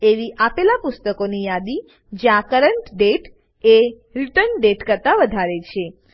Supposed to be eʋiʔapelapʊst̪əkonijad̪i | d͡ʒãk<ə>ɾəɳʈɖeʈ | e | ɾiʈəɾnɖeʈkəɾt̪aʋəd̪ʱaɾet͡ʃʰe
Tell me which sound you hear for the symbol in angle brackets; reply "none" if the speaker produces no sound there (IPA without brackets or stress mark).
ə